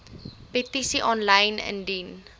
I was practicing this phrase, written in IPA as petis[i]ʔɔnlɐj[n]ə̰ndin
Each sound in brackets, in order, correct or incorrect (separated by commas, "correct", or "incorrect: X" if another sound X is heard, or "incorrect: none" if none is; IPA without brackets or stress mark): correct, correct